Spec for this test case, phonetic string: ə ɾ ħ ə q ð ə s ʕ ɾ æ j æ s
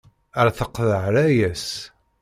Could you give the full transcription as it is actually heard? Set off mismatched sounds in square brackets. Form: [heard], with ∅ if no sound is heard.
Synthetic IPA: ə ɾ [θ] ə q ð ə [∅] ʕ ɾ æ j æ s